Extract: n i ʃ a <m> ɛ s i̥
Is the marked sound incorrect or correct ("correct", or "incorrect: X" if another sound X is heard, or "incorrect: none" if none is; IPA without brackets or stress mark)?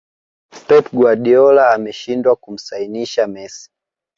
correct